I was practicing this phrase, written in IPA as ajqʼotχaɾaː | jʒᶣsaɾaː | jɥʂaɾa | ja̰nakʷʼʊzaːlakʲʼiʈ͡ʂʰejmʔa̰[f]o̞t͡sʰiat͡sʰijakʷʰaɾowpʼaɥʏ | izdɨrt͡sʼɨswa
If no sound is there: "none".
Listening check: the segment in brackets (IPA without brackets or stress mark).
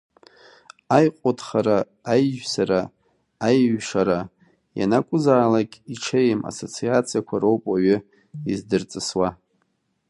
s